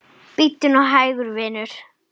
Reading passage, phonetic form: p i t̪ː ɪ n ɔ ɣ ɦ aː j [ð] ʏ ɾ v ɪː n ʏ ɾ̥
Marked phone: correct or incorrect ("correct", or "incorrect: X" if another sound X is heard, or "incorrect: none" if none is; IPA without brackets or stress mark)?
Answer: incorrect: ɣ